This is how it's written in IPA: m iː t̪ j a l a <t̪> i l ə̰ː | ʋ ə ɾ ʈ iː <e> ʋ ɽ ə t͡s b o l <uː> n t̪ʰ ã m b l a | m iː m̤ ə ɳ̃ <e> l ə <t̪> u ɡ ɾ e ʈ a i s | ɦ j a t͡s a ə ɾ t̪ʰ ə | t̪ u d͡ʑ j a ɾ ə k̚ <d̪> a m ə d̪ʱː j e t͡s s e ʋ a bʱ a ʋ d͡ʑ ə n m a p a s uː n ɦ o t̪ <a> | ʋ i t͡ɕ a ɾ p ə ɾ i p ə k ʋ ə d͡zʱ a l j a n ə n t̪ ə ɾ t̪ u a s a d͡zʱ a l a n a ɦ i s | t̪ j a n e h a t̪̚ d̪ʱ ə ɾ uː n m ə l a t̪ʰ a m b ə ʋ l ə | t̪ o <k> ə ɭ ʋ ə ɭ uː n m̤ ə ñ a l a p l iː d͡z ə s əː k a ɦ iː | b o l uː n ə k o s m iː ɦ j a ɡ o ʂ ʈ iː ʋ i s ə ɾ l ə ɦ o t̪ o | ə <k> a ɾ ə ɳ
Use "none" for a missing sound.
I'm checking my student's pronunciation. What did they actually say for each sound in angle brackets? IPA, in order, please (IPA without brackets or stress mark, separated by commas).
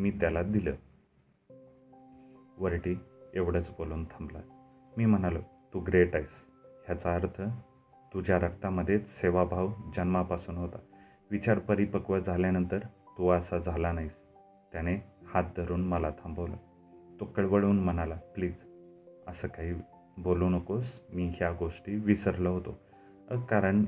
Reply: d̪, e, uː, a, t̪, t̪, a, k, k